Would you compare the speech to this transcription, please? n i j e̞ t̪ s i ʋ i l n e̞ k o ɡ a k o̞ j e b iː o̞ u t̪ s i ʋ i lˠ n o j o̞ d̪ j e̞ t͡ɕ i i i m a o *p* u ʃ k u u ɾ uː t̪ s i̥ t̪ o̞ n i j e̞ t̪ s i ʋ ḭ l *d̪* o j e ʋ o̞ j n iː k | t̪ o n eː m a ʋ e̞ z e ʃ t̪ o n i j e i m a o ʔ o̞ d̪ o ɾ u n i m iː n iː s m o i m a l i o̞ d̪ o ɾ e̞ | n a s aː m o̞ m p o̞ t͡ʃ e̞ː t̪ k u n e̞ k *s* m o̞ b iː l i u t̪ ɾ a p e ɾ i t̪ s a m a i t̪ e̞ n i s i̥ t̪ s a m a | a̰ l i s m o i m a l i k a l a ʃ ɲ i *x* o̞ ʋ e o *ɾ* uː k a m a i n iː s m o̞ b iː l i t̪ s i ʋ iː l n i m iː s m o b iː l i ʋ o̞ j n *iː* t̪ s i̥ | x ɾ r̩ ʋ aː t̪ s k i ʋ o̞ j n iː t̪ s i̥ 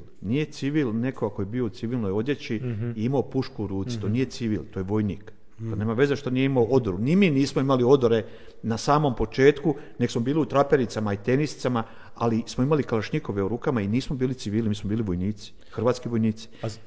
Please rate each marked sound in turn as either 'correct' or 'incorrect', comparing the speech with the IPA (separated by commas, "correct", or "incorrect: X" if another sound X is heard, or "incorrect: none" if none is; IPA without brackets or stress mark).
correct, incorrect: t̪, correct, incorrect: k, correct, correct